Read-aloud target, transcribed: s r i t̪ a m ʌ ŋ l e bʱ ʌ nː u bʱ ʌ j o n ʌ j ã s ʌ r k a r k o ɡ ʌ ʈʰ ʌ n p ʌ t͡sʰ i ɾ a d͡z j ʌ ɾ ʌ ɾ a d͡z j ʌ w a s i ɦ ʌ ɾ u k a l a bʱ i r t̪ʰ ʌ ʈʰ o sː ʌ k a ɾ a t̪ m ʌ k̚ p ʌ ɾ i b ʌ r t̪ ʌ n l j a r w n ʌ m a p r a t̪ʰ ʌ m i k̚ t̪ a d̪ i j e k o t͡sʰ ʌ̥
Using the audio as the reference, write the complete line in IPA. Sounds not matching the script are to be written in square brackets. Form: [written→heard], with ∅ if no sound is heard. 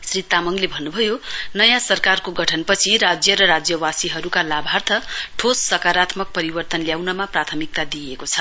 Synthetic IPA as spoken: s r i t̪ a m ʌ ŋ l e bʱ ʌ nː u bʱ ʌ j o n ʌ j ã s ʌ r k a r k o ɡ ʌ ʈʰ ʌ n p ʌ t͡sʰ i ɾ a d͡z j ʌ ɾ ʌ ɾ a d͡z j ʌ w a s i ɦ ʌ ɾ u k a l a bʱ [i→a] r t̪ʰ ʌ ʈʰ o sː ʌ k a ɾ a t̪ m ʌ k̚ p ʌ ɾ i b ʌ r t̪ ʌ n l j a [r→∅] w n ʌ m a p r a t̪ʰ ʌ m i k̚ t̪ a d̪ i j e k o t͡sʰ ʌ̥